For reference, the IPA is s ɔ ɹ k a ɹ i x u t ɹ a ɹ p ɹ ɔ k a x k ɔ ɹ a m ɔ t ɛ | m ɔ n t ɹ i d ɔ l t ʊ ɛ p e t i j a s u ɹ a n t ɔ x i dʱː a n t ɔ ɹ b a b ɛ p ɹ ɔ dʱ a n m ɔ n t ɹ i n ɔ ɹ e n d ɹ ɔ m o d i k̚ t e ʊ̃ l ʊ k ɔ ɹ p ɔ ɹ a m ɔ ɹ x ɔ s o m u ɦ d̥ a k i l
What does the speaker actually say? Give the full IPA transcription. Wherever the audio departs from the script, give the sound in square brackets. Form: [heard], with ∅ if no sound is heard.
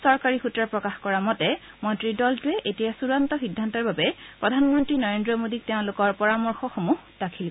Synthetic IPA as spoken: s ɔ ɹ k a ɹ i x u t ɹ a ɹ p ɹ ɔ k a x k ɔ ɹ a m ɔ t ɛ | m ɔ n t ɹ i d ɔ l t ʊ ɛ [ʔ] e t i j a s u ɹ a n t ɔ x i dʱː a n t ɔ ɹ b a b ɛ p ɹ ɔ dʱ a n m ɔ n t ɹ i n ɔ ɹ e n d ɹ ɔ m o d i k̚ t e ʊ̃ l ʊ k ɔ ɹ p ɔ ɹ a m ɔ ɹ x ɔ [x] o m u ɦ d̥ a [kʰ] i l